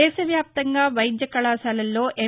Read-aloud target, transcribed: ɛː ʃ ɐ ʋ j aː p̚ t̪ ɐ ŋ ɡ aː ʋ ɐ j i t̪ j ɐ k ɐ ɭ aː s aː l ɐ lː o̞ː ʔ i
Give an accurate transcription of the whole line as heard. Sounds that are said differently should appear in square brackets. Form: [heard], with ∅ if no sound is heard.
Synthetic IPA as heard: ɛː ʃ ɐ ʋ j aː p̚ t̪ ɐ ŋ ɡ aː ʋ ɐ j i [d̪] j ɐ k ɐ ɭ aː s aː l ɐ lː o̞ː ʔ [e]